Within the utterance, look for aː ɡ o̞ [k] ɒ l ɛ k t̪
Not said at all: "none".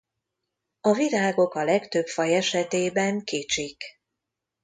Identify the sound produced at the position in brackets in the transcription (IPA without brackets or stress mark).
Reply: k